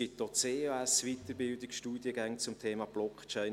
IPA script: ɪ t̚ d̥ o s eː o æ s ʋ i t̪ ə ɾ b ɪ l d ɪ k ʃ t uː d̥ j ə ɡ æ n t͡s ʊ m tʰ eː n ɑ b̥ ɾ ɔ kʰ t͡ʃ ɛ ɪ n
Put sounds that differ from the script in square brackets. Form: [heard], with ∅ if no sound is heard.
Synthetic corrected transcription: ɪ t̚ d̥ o [t͡s] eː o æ s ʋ i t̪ ə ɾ b ɪ l d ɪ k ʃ t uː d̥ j ə ɡ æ [ŋ] t͡s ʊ m tʰ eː [m] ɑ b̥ [l] ɔ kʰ t͡ʃ ɛ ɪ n